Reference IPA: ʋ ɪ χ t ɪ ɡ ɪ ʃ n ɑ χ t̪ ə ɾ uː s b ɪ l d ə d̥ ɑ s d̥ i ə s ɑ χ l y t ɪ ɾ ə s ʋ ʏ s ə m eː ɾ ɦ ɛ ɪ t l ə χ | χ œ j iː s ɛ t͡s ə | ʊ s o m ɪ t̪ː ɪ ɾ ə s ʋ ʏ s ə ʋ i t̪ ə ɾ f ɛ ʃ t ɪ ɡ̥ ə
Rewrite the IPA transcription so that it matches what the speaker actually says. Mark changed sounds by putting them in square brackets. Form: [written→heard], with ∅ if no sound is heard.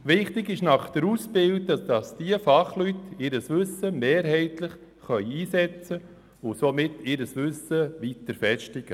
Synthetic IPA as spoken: ʋ ɪ χ t ɪ ɡ ɪ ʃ n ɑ χ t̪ ə ɾ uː s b ɪ l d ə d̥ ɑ s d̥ i ə [s→f] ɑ χ l y t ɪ ɾ ə s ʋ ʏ s ə m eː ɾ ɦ ɛ ɪ t l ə χ | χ œ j iː s ɛ t͡s ə | ʊ s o m ɪ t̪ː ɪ ɾ ə s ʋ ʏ s ə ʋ i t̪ ə ɾ f ɛ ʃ t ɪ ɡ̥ ə

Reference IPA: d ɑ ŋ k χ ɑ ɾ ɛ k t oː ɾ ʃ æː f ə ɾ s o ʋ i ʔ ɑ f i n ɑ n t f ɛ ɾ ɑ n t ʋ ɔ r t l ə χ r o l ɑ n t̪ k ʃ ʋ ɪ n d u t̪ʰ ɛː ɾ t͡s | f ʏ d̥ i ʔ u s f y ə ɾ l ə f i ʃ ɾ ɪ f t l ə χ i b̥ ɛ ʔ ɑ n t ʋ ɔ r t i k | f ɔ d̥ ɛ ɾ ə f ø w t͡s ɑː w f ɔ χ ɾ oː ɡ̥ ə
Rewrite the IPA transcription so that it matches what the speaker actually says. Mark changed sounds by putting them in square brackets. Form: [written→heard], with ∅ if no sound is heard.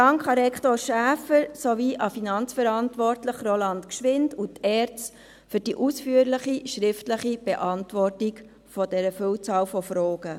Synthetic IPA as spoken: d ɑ ŋ k χ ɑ ɾ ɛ k t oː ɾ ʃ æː f ə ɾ s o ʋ i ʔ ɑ f i n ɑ n [t→t͡s] f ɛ ɾ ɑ n t ʋ ɔ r t l ə χ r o l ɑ n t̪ k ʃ ʋ ɪ n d u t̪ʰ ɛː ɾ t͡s | f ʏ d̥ i ʔ u s f y ə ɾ l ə [f→χ] i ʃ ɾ ɪ f t l ə χ i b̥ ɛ ʔ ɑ n t ʋ ɔ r t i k | f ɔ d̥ ɛ ɾ ə f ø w t͡s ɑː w f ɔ [χ→f] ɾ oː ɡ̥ ə

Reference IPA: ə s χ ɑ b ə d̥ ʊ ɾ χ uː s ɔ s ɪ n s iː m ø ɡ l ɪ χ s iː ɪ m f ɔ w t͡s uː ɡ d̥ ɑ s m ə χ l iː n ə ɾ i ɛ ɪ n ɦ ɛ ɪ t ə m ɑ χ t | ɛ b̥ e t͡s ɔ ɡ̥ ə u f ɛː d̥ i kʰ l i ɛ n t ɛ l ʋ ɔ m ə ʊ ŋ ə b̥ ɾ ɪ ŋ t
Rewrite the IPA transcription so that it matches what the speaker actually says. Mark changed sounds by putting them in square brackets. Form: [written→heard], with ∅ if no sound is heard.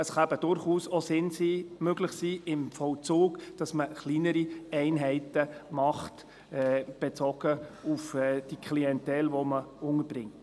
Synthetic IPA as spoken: ə s χ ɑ b ə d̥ ʊ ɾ χ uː s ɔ s ɪ n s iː m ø ɡ l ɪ χ s iː ɪ m f ɔ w t͡s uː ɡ d̥ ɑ s m ə χ l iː n ə ɾ i ɛ ɪ n ɦ ɛ ɪ t ə m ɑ χ t | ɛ b̥ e t͡s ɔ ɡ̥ ə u f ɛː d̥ i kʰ l i ɛ n t ɛ l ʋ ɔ m ə ʊ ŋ ə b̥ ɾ ɪ ŋ t

